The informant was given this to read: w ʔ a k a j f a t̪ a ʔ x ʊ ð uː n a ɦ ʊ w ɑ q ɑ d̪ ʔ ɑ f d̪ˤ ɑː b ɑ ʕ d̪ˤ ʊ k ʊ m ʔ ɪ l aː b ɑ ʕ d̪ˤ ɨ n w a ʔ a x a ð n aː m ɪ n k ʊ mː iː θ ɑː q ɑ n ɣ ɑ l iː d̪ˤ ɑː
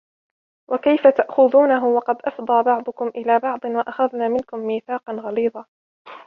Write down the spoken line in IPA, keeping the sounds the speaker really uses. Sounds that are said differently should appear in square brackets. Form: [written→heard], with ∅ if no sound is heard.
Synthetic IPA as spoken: w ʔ a k a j f a t̪ a ʔ x ʊ ð uː n a ɦ ʊ w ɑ q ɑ d̪ ʔ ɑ f d̪ˤ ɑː b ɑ ʕ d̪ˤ ʊ k ʊ m ʔ ɪ l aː b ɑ ʕ d̪ˤ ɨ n w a ʔ a x a ð n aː m ɪ n k ʊ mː iː θ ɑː q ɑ n ɣ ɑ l iː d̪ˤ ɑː